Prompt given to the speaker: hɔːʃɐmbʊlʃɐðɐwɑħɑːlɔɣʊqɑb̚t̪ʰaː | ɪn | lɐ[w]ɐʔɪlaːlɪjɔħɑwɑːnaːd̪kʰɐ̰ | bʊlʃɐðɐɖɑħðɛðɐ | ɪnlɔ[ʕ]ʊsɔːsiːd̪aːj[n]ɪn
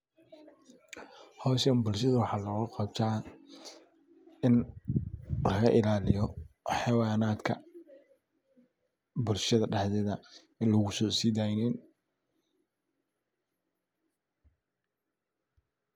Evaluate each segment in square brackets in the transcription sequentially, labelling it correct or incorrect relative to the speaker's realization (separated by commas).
incorrect, incorrect, correct